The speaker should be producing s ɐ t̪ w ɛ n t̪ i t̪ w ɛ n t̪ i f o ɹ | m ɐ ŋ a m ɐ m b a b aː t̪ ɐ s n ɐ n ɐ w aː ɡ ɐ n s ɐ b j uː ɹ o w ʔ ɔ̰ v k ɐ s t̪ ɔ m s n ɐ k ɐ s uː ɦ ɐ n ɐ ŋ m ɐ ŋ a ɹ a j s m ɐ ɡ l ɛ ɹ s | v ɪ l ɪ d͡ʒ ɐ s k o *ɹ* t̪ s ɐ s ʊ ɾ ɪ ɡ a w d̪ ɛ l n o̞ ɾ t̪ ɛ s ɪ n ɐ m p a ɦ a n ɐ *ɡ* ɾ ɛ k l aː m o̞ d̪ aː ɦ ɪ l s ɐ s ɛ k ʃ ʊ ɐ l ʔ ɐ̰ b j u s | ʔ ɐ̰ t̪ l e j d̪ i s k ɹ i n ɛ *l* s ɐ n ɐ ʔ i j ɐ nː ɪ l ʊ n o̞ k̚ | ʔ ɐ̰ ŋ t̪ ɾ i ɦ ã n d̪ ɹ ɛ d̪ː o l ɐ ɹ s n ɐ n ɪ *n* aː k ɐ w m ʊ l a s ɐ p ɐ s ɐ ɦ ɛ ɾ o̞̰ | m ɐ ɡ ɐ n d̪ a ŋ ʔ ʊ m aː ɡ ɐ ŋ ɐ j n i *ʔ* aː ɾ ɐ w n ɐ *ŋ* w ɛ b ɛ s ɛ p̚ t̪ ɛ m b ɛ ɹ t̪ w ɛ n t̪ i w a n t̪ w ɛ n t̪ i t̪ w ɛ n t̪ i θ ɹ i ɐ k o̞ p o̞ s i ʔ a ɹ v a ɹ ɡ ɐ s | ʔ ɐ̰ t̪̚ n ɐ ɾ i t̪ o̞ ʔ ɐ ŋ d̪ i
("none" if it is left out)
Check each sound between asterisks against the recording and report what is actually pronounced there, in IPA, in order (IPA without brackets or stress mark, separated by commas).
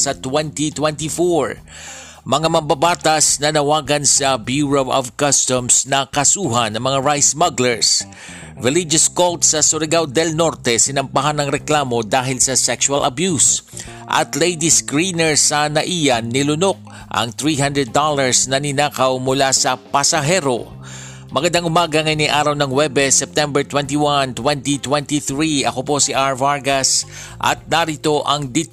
l, ŋ, ɹ, n, ʔ, ŋ